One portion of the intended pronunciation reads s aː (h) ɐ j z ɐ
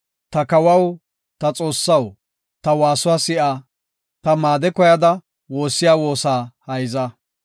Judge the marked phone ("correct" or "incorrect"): correct